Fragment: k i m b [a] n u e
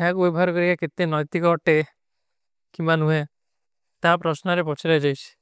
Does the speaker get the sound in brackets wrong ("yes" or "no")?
no